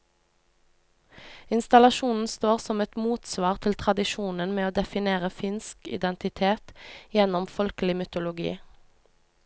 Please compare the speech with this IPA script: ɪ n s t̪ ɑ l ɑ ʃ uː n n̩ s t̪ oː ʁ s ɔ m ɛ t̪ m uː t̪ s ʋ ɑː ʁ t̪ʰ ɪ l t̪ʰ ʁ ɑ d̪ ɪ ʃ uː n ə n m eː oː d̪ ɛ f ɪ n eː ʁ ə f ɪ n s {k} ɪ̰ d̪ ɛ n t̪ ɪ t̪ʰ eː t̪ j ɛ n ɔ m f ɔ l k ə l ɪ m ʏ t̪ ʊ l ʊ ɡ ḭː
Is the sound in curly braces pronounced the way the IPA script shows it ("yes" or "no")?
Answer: yes